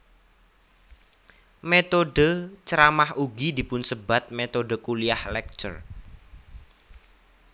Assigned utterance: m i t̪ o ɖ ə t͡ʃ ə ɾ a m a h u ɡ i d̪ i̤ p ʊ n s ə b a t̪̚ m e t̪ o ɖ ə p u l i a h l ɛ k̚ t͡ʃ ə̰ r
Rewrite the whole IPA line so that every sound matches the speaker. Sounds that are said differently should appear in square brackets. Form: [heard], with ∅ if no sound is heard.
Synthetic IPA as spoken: m [e] t̪ o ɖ ə t͡ʃ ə ɾ a m a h u ɡ i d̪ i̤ p ʊ n s ə b a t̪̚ m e t̪ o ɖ ə [k] u l i a h l ɛ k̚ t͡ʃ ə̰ r

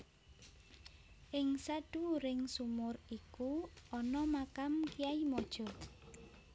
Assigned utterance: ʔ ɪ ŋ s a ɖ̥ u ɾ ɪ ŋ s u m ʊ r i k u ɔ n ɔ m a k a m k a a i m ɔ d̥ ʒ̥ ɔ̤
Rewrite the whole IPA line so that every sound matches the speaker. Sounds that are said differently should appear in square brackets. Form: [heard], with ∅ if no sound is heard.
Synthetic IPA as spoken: ʔ ɪ ŋ s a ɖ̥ u ɾ ɪ ŋ s u m ʊ r i k u ɔ n ɔ m a k a m k [i] a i m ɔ d̥ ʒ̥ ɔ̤

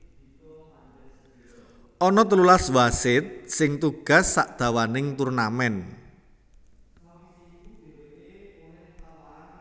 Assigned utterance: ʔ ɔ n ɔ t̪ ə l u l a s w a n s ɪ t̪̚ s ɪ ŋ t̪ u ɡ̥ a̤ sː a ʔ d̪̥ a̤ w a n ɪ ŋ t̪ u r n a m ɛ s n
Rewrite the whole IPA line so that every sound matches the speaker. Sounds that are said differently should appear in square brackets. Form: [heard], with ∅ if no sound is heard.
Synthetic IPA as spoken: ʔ ɔ n ɔ t̪ ə l u l a s w a [∅] s ɪ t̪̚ s ɪ ŋ t̪ u ɡ̥ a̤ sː a ʔ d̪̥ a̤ w a n ɪ ŋ t̪ u r n a m ɛ [∅] n

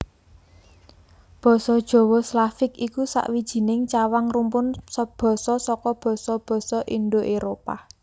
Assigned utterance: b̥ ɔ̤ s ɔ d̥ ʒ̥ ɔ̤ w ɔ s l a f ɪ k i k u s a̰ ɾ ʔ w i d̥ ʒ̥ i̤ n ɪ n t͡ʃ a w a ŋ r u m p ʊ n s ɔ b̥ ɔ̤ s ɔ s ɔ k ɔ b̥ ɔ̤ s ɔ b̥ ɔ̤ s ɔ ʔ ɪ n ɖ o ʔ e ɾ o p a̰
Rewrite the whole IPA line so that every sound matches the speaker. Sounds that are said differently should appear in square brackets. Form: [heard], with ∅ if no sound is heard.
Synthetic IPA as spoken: b̥ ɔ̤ s ɔ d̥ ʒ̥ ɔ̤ w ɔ s l a f ɪ k i k u s a̰ [∅] ʔ w i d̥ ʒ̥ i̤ n ɪ [ŋ] t͡ʃ a w a ŋ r u m p ʊ n s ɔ b̥ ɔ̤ s ɔ s ɔ k ɔ b̥ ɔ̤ s ɔ b̥ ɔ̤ s ɔ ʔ [i] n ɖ o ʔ e ɾ o p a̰

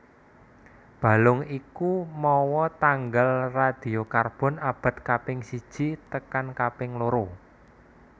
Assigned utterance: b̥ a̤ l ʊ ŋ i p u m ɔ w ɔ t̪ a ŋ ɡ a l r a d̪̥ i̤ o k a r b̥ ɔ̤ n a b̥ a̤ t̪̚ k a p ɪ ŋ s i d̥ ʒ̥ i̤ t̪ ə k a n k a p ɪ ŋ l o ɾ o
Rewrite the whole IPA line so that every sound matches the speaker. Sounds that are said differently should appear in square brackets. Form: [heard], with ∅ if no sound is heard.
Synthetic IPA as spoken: b̥ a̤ l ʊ ŋ i [k] u m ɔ w ɔ t̪ a ŋ ɡ a l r a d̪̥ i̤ o k a r b̥ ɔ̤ n a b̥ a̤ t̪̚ k a p ɪ ŋ s i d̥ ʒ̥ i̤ t̪ ə k a n k a p ɪ ŋ l o ɾ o

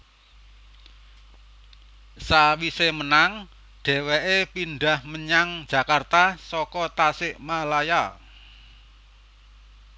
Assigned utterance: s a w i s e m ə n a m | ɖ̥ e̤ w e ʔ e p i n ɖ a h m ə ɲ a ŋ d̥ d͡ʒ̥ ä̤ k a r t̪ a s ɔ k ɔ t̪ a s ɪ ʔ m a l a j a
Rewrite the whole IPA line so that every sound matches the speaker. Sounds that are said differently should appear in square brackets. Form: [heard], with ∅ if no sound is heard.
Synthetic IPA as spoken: s a w i s e m ə n a [ŋ] | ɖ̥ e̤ w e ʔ e p i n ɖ a h m ə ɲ a ŋ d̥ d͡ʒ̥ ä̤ k a r t̪ a s ɔ k ɔ t̪ a s ɪ ʔ m a l a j a

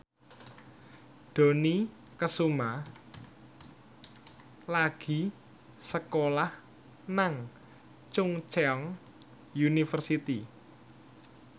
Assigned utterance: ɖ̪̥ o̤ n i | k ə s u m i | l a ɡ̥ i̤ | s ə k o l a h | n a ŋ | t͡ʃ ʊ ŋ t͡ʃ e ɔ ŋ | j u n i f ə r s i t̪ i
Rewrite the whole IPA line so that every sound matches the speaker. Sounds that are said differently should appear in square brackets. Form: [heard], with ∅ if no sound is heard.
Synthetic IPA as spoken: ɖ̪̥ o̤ n i | k ə s u m [a] | l a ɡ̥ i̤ | s ə k o l a h | n a ŋ | t͡ʃ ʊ ŋ t͡ʃ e ɔ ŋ | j u n i f ə r s i t̪ i

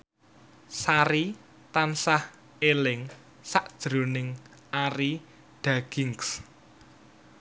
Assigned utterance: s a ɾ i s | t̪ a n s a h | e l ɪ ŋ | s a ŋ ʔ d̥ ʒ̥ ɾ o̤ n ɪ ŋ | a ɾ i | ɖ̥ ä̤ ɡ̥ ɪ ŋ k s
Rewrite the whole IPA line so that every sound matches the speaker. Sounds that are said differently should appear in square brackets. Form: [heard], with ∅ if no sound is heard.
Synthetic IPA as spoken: s a ɾ i [∅] | t̪ a n s a h | e l ɪ ŋ | s a [∅] ʔ d̥ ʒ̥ ɾ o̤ n ɪ ŋ | a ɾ i | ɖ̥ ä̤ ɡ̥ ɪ ŋ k s

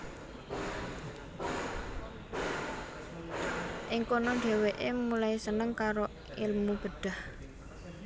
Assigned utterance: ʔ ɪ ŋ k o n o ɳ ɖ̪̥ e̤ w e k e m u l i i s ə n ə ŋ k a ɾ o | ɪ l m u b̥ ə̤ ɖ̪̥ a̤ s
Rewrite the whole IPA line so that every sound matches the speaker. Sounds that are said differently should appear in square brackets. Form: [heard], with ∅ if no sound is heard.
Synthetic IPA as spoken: ʔ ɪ ŋ k o n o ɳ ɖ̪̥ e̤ w e [ʔ] e m u l [a] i s ə n ə ŋ k a ɾ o | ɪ l m u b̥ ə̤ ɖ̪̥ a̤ [h]

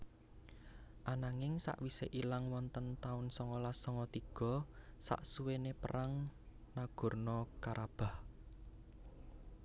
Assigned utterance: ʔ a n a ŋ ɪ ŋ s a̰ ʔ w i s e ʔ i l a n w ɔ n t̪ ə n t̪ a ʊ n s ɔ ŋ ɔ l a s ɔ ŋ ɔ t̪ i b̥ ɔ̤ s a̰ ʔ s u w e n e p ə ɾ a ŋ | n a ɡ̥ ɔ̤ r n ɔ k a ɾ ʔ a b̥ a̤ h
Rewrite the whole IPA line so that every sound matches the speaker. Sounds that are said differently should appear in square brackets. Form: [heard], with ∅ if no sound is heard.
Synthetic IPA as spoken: ʔ a n a ŋ ɪ ŋ s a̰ ʔ w i s e ʔ i l a [ŋ] w ɔ n t̪ ə n t̪ a ʊ n s ɔ ŋ ɔ l a s ɔ ŋ ɔ t̪ i [ɡ̥] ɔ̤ s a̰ ʔ s u w e n e p ə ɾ a ŋ | n a ɡ̥ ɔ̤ r n ɔ k a ɾ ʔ a b̥ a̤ h

